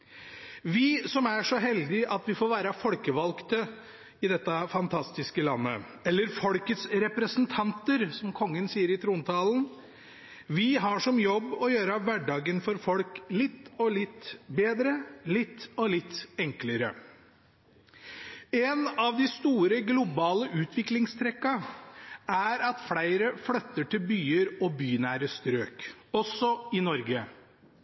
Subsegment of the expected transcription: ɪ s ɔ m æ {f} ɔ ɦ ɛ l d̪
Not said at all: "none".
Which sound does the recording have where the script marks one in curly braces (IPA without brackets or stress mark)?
ʂ